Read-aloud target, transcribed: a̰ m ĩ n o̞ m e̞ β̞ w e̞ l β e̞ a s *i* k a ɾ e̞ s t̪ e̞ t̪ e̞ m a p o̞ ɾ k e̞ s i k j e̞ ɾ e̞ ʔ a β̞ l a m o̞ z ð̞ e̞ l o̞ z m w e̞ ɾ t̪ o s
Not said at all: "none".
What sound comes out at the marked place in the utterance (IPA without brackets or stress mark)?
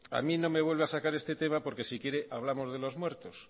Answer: a